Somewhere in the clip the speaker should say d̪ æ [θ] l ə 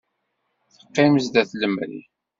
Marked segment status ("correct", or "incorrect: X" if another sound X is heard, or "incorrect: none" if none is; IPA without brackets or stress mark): correct